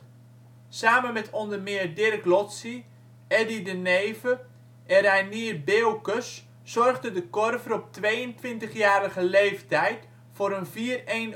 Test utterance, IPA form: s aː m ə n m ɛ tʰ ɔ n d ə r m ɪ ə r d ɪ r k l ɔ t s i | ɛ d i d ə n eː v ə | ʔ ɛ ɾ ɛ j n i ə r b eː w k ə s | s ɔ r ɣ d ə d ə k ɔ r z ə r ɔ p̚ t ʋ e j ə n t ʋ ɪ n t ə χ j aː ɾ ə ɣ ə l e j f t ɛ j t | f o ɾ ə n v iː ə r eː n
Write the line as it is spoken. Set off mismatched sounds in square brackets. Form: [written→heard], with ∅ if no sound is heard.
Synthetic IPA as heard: s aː m ə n m ɛ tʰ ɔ n d ə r m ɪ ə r d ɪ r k l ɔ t s i | ɛ d i d ə n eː v ə | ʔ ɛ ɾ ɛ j n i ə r b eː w k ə s | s ɔ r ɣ d ə d ə k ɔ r [z→v] ə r ɔ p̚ t ʋ e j ə n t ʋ ɪ n t ə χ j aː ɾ ə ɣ ə l e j f t ɛ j t | f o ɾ ə n v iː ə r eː n